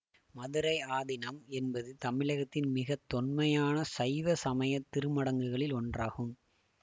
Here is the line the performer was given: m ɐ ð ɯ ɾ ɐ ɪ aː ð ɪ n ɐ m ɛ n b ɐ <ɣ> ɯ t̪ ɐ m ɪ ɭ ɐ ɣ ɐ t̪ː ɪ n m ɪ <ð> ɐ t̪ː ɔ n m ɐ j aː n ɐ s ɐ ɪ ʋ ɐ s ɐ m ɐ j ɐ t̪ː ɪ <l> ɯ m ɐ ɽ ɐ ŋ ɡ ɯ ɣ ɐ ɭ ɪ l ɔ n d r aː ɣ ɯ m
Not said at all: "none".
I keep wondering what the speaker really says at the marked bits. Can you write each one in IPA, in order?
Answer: ð, ɣ, ɾ

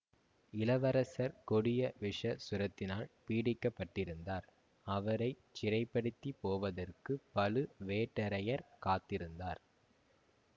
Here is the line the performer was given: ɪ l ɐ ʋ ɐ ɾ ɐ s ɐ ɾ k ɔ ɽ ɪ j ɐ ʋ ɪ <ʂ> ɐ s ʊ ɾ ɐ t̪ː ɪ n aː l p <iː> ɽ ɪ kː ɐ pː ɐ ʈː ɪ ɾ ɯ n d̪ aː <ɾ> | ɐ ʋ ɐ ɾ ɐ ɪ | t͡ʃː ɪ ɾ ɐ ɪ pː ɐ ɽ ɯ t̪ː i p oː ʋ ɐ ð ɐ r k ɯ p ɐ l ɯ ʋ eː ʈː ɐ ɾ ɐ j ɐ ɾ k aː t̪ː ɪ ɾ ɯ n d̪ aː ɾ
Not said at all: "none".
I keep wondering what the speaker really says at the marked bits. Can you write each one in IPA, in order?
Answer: ʂ, iː, ɾ

